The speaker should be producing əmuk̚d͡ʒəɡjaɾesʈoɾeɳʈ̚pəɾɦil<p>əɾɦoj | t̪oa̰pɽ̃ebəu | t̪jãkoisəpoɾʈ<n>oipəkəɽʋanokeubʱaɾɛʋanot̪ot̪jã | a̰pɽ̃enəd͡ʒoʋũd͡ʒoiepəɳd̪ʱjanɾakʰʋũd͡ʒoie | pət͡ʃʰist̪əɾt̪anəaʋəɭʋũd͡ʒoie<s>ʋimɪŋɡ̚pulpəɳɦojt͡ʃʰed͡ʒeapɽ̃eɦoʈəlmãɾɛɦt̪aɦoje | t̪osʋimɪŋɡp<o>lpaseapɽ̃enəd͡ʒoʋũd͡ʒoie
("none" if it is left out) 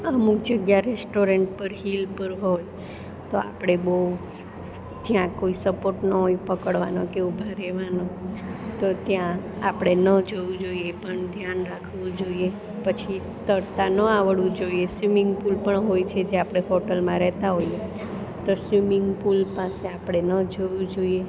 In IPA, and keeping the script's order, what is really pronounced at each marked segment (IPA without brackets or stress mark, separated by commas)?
p, n, s, u